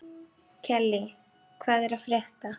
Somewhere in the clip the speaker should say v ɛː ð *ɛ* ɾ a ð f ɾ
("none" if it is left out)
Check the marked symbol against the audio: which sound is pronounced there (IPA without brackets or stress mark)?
ɛ